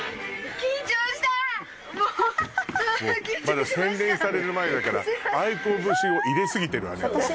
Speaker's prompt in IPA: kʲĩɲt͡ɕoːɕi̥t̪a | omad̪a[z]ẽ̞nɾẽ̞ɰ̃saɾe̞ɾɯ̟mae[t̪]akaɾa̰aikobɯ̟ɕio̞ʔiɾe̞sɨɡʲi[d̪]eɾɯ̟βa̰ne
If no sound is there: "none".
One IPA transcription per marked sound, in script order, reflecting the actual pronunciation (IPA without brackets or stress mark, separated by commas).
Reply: s, d̪, t̪